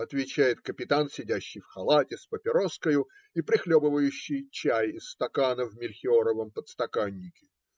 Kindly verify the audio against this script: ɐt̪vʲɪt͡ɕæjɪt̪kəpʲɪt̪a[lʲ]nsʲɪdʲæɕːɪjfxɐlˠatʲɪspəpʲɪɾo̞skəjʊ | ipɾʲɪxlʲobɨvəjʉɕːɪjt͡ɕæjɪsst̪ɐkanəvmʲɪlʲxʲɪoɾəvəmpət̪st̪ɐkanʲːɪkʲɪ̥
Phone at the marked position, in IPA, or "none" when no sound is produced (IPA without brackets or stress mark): none